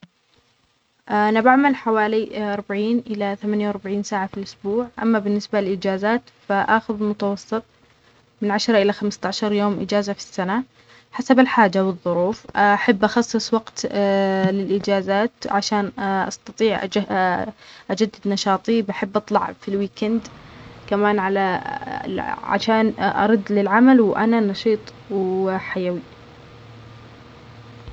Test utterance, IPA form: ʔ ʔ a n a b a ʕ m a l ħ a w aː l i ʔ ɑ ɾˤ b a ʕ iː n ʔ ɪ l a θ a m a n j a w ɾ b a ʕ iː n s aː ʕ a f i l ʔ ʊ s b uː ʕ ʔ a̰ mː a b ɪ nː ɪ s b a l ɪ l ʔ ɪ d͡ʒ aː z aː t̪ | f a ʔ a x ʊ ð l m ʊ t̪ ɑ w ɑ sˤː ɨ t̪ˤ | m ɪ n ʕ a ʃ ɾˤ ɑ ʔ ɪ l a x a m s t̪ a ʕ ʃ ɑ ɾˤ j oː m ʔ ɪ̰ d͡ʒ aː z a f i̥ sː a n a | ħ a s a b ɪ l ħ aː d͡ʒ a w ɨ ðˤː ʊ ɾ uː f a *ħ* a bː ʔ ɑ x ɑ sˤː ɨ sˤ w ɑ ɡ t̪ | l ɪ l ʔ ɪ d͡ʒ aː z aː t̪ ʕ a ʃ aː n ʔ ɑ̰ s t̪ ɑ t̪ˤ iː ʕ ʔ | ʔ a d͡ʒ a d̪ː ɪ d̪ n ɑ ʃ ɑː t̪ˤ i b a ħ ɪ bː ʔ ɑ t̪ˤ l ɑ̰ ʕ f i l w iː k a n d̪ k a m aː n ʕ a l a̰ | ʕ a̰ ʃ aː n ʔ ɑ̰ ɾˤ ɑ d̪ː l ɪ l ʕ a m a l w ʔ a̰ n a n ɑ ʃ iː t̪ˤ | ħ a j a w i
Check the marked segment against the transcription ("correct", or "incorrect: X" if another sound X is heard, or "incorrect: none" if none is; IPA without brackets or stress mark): correct